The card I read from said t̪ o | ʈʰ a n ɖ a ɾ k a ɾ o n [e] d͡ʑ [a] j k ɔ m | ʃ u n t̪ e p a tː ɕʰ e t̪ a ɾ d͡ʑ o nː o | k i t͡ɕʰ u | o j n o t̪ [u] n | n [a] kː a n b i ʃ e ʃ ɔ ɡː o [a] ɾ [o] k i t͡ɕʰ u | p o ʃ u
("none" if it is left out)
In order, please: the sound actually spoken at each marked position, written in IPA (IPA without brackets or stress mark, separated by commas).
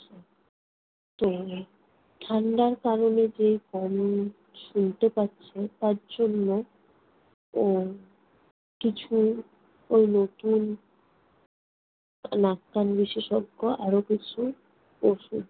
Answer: e, e, u, a, a, o